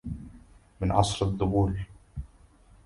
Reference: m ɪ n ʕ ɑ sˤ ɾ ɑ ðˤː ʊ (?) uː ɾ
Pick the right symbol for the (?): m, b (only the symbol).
b